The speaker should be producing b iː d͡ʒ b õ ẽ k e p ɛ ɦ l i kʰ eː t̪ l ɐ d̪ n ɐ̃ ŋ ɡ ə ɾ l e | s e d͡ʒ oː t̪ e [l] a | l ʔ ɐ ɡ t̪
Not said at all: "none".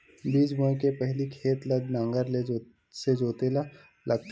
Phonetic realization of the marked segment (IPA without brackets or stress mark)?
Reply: l